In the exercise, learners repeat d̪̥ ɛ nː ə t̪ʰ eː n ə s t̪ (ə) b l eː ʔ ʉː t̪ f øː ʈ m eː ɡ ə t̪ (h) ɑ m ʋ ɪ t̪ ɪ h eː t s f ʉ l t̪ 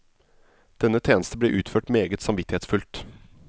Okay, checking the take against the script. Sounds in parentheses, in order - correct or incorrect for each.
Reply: correct, incorrect: s

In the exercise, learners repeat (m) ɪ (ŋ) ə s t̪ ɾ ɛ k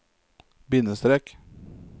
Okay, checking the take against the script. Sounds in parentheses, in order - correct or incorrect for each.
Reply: incorrect: b, incorrect: n

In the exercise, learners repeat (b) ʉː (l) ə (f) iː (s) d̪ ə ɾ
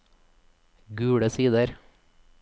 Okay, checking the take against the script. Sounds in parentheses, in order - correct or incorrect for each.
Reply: incorrect: ɡ, incorrect: ɽ, incorrect: s, incorrect: none

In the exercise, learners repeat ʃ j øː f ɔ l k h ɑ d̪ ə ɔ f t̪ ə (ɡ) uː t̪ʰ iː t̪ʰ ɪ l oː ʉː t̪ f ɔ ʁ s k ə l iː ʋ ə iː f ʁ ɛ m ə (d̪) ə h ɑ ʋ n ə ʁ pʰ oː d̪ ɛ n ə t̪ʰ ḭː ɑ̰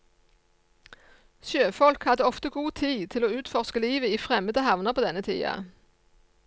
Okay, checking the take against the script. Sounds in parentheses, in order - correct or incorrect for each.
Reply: correct, correct

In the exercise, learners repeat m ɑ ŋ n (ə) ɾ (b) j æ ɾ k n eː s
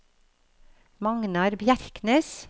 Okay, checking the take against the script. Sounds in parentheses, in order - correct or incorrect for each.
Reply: incorrect: ɑ, correct

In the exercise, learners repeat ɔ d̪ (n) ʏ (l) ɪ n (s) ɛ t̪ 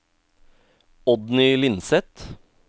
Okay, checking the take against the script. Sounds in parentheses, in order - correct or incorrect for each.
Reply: correct, correct, correct

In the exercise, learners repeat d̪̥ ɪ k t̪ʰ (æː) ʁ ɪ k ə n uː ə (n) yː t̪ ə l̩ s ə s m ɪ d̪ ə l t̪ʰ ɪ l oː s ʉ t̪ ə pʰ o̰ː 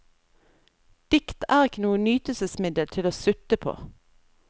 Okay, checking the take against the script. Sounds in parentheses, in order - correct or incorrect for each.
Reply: correct, correct

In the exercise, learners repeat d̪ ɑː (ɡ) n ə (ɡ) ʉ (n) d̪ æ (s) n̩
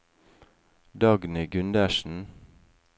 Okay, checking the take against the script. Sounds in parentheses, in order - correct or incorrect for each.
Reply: correct, correct, correct, incorrect: ʃ

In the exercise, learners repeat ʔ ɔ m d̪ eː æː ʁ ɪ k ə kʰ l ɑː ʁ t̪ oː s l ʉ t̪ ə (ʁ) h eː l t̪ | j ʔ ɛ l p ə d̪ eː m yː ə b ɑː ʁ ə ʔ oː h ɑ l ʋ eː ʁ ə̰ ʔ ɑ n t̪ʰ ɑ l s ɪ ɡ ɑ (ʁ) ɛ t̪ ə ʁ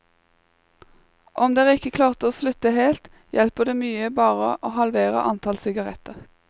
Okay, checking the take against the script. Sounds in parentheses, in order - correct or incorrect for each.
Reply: incorrect: none, correct

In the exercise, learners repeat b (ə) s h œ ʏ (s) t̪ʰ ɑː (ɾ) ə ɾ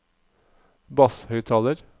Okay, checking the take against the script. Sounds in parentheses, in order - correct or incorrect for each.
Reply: incorrect: ɑ, incorrect: none, incorrect: l

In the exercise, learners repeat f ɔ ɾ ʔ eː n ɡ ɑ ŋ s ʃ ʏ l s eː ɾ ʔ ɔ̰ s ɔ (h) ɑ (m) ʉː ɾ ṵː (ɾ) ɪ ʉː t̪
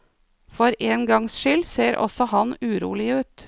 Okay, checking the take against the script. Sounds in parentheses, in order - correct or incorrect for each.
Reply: correct, incorrect: n, incorrect: l

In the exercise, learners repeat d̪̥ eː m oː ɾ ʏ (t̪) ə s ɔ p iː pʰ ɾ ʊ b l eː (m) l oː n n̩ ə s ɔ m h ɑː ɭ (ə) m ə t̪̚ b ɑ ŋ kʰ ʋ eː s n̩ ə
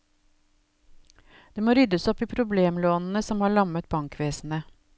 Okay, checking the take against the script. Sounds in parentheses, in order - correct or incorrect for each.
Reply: incorrect: d̪, correct, incorrect: ɑ

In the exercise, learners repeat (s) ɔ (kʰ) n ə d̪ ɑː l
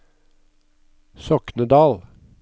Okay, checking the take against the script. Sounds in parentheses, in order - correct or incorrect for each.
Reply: correct, incorrect: k

